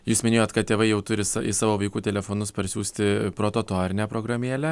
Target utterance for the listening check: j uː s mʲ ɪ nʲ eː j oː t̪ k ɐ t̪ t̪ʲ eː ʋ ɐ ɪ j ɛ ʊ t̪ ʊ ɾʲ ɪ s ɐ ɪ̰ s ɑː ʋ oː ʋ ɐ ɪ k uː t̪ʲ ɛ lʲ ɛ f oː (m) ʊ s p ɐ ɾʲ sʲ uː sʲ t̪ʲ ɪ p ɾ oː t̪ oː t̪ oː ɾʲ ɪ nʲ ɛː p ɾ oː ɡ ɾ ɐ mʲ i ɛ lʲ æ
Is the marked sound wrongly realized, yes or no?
yes